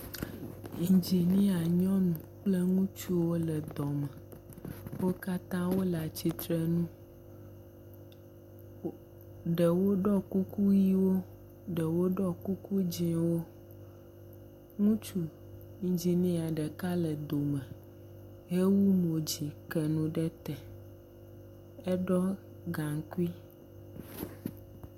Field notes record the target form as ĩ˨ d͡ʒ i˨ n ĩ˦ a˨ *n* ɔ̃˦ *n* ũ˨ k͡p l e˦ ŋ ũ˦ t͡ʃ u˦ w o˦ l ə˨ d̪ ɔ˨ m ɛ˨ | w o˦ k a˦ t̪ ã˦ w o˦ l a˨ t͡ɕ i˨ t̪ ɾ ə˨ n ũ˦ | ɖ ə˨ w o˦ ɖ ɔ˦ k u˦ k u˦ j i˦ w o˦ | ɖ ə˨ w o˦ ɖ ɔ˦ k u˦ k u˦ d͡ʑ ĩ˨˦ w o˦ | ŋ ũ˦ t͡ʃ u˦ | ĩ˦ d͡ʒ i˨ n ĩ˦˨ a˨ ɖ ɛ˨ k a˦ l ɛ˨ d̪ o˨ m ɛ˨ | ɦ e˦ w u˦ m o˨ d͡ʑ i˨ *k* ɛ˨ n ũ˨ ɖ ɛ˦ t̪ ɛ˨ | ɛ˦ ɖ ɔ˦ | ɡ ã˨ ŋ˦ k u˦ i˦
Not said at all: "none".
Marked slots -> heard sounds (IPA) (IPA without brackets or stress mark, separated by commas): ɲ, n, k